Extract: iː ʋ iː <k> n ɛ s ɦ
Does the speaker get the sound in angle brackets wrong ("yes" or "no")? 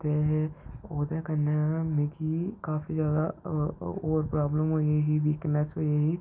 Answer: no